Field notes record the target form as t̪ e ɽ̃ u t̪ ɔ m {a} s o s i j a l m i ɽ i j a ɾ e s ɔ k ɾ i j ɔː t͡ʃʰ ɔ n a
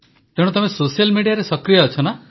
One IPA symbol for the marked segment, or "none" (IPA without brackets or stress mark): e